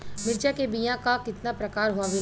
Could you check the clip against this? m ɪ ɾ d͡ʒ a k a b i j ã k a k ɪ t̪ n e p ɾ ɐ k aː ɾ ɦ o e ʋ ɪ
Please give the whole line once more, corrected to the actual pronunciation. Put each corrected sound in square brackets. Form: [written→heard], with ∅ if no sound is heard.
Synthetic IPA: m ɪ ɾ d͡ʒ a k [a→e] b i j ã k a k ɪ t̪ n [e→a] p ɾ ɐ k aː ɾ ɦ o [e→a] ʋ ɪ